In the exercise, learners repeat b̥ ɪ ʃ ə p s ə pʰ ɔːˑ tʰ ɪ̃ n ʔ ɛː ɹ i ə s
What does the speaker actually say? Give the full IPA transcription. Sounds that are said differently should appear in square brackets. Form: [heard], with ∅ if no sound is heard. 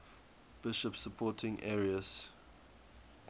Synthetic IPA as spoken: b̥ ɪ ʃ ə p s ə pʰ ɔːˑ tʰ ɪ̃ [ŋ] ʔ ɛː ɹ i ə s